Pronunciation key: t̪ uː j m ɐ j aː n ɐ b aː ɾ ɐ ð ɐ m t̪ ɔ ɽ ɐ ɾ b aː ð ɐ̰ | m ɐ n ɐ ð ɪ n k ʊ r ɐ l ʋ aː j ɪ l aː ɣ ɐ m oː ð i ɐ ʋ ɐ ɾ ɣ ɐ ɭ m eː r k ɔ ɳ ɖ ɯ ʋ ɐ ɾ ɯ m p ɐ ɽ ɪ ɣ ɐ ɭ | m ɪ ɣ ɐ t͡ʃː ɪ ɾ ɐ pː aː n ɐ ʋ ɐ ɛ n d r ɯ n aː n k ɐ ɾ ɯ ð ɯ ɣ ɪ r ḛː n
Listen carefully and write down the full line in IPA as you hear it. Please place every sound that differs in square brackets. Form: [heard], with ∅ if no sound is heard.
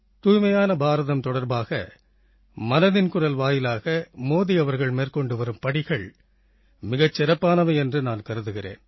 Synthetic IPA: t̪ uː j m ɐ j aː n ɐ b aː ɾ ɐ ð ɐ m t̪ ɔ ɽ ɐ ɾ b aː [ɣ] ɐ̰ | m ɐ n ɐ ð ɪ n k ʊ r ɐ l ʋ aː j ɪ l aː ɣ ɐ m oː ð i ɐ ʋ ɐ ɾ ɣ ɐ ɭ m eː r k ɔ ɳ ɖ ɯ ʋ ɐ ɾ ɯ m p ɐ ɽ ɪ ɣ ɐ ɭ | m ɪ ɣ ɐ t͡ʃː ɪ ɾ ɐ pː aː n ɐ ʋ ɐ ɛ n d r ɯ n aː n k ɐ ɾ ɯ ð ɯ ɣ ɪ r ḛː n